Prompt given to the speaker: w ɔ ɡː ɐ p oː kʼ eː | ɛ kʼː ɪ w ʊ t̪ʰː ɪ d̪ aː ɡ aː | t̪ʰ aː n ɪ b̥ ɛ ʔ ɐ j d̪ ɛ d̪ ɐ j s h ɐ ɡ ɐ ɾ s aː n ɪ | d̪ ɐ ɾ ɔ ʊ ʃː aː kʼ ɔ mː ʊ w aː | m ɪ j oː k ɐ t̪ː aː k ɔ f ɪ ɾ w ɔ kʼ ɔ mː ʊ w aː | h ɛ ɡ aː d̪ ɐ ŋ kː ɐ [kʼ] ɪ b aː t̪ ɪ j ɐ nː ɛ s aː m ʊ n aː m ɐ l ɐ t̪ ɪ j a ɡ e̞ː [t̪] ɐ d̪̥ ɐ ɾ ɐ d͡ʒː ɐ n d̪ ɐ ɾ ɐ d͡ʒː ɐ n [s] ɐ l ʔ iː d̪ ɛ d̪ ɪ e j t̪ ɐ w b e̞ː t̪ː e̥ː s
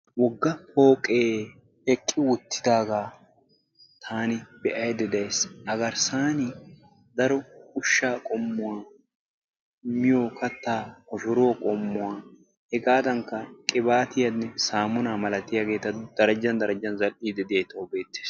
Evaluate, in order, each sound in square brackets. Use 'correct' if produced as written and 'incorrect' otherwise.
correct, correct, incorrect

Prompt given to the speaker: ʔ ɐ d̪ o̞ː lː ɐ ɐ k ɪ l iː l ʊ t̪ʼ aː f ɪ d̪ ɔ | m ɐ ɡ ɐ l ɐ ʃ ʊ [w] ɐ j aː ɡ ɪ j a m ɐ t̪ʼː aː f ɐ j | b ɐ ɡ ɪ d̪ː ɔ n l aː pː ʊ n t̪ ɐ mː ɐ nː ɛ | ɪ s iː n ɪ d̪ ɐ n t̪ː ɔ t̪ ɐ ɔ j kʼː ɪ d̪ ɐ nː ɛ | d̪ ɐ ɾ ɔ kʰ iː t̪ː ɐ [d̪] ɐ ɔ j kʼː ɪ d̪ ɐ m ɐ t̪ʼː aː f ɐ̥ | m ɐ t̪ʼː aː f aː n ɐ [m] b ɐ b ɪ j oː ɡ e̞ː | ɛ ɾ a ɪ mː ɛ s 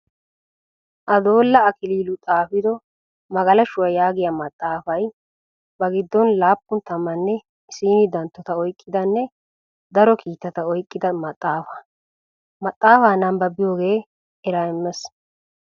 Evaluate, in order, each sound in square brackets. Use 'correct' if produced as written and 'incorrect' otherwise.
correct, incorrect, correct

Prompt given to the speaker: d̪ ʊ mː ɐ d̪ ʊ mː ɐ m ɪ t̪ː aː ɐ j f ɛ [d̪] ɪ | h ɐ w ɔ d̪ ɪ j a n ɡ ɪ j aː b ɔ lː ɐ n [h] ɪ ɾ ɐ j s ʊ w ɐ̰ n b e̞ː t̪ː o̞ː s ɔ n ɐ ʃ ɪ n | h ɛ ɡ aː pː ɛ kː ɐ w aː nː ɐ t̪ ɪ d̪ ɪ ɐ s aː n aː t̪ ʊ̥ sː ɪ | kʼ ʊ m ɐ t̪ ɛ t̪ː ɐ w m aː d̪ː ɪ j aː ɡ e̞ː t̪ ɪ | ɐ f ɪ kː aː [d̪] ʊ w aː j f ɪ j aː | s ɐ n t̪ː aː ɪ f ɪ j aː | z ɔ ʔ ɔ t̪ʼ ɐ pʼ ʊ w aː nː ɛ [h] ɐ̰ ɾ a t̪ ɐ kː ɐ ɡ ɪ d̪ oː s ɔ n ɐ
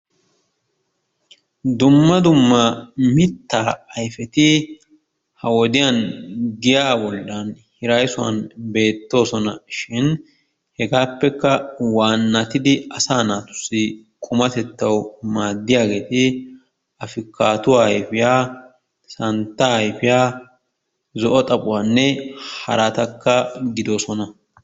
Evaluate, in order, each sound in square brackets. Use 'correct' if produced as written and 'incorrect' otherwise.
incorrect, correct, incorrect, correct

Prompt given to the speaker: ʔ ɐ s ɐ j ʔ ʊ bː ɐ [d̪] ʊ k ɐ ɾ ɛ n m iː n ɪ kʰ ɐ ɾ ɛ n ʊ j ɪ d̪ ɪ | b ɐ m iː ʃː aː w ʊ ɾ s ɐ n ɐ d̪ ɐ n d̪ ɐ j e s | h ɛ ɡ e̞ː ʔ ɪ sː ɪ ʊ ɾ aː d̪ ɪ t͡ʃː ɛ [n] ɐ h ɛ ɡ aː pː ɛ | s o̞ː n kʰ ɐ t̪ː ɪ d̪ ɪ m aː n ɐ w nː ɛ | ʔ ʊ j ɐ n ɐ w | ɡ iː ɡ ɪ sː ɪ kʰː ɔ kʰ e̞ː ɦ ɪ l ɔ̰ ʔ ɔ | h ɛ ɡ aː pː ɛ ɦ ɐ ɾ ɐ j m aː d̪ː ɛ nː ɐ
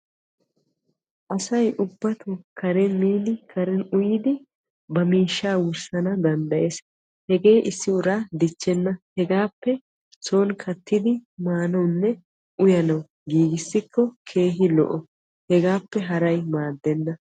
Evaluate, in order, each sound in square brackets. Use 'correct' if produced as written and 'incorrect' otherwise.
incorrect, incorrect

